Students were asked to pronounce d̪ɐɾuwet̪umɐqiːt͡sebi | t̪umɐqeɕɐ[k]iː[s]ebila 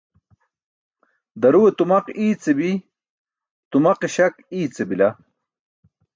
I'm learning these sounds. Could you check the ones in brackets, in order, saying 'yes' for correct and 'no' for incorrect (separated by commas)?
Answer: yes, no